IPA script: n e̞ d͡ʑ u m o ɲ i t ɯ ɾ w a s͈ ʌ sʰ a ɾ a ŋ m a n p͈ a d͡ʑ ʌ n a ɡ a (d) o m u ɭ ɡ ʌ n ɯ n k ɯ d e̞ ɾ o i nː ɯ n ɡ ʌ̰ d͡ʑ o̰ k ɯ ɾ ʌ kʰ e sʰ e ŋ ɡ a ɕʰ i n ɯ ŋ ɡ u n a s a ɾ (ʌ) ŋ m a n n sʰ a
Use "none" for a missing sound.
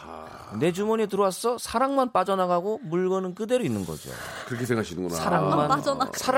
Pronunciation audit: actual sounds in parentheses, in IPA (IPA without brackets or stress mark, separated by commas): ɡ, a